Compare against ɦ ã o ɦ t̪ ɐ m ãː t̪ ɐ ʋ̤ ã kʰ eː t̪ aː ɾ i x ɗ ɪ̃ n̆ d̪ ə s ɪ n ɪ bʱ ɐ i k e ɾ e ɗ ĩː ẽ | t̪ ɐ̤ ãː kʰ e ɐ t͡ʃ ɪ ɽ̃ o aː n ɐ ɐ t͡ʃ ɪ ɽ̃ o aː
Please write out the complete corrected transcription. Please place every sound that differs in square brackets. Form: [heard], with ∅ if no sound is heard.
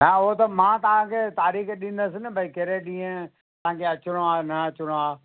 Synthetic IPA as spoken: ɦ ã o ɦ t̪ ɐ m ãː t̪ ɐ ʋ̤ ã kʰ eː t̪ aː ɾ [iː] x ɗ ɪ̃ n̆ d̪ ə s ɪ n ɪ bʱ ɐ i k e ɾ e ɗ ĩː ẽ | t̪ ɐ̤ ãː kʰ e ɐ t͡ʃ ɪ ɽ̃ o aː n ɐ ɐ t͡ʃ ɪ ɽ̃ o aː